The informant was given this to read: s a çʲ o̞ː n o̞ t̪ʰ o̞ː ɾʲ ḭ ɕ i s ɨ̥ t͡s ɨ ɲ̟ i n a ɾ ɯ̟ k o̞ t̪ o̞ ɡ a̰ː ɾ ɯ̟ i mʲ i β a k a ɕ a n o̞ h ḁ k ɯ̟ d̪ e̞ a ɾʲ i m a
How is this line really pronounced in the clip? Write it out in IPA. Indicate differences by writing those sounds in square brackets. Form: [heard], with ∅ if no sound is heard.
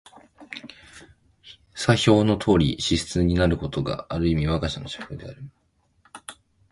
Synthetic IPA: s a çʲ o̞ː n o̞ t̪ʰ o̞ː ɾʲ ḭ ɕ i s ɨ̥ t͡s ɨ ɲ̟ i n a ɾ ɯ̟ k o̞ t̪ o̞ ɡ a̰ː ɾ ɯ̟ i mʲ i β a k a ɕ a n o̞ [ɕ] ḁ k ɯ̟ d̪ e̞ a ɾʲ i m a